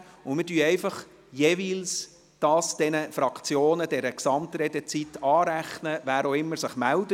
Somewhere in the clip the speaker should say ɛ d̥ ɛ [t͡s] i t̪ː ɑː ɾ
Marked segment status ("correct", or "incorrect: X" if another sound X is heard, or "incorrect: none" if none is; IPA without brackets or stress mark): correct